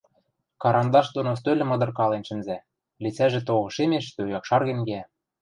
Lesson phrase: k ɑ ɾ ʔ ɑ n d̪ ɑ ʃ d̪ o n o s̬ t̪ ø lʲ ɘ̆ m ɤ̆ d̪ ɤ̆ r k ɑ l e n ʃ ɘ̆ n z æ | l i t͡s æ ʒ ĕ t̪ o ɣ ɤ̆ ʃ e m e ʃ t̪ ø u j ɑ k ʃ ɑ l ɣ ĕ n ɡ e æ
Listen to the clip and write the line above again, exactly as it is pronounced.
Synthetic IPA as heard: k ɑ ɾ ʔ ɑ n d̪ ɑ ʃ d̪ o n o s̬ t̪ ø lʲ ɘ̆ m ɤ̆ d̪ ɤ̆ r k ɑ l e n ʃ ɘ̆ n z æ | l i t͡s æ ʒ ĕ t̪ o ɣ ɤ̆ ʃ e m e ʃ t̪ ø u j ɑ k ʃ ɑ r ɣ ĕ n ɡ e æ